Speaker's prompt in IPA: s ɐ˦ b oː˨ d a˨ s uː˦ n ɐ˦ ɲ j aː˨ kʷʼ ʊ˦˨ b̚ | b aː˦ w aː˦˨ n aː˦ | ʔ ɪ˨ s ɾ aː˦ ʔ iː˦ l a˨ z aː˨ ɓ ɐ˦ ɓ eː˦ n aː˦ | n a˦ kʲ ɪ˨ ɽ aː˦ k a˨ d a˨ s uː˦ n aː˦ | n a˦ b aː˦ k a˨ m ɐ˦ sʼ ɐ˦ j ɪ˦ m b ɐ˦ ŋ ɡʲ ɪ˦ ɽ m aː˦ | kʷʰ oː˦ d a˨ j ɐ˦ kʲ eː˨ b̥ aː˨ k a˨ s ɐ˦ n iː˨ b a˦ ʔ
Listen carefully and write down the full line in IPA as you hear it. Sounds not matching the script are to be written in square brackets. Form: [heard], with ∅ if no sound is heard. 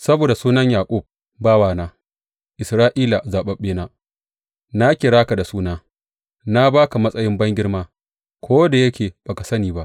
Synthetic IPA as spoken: s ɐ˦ b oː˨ d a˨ s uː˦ n ɐ˦ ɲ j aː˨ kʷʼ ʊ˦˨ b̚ | b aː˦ w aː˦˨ n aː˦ | ʔ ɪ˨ s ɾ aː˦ ʔ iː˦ l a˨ z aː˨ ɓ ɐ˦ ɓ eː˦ n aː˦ | n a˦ kʲ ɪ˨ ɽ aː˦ k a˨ d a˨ s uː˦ n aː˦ | n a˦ b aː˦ k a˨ m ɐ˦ sʼ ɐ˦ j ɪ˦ m b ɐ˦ ŋ ɡʲ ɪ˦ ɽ m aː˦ | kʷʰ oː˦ d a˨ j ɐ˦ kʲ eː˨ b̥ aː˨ k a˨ s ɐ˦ n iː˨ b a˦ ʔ

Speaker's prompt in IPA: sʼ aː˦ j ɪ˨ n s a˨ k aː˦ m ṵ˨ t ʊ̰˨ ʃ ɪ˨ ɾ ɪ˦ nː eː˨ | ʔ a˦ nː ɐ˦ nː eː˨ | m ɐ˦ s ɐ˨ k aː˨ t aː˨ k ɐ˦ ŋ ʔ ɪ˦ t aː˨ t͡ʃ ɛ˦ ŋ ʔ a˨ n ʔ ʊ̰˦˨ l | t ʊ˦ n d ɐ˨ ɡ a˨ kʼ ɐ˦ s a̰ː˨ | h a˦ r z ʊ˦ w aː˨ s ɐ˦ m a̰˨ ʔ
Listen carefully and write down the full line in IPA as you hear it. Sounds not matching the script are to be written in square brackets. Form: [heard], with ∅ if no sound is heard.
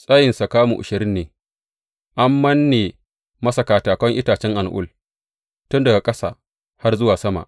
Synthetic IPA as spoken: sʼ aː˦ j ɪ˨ n s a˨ k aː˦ m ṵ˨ [ʔ] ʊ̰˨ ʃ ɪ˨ ɾ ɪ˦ nː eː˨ | ʔ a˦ [mː] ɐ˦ nː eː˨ | m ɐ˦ s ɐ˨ k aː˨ t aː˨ k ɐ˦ ŋ ʔ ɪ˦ t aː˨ t͡ʃ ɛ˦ ŋ ʔ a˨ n ʔ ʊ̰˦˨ l | t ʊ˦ n d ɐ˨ ɡ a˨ kʼ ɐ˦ s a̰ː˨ | h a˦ r z ʊ˦ w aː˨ s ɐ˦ m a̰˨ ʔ

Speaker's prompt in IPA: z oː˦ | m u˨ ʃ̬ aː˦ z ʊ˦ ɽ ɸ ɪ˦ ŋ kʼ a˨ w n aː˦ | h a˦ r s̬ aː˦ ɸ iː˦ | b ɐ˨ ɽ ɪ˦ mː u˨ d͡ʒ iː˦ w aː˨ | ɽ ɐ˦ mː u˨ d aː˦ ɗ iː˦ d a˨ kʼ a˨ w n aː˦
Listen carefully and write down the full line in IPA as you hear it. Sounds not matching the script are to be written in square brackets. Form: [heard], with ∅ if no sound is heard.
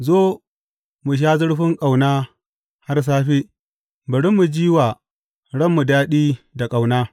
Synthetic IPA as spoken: z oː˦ | m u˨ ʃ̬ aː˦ z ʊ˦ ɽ ɸ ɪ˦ ŋ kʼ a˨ w n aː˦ | h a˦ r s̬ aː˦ ɸ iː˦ | b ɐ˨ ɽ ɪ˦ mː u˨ d͡ʒ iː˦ w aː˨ | ɽ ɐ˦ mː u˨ d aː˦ ɗ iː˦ d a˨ kʼ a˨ w n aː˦

